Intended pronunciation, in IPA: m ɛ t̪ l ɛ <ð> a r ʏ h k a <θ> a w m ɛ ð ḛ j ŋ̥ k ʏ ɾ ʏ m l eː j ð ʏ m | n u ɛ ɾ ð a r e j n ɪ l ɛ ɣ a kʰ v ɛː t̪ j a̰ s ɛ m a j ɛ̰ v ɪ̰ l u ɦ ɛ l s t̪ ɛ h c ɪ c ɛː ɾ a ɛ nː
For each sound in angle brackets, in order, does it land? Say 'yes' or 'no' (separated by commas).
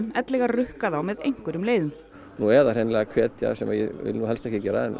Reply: no, no